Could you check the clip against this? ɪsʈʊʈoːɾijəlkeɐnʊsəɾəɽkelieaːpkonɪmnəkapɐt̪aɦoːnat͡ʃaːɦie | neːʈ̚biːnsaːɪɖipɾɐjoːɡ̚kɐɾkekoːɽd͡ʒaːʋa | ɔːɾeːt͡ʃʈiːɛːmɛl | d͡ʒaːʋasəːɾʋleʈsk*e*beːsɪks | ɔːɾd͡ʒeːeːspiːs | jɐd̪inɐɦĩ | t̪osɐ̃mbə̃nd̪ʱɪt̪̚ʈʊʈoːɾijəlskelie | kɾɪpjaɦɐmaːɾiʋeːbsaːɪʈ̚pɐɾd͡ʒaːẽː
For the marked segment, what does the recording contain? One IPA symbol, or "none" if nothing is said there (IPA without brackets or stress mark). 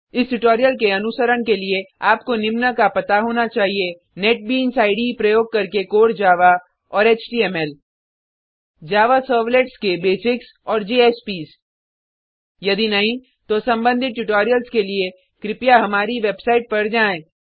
e